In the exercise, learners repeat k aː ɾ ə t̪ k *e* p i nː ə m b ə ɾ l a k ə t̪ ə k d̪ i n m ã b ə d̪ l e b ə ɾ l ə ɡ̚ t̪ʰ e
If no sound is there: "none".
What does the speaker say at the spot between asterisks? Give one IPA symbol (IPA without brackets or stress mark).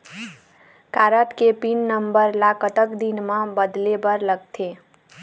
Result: e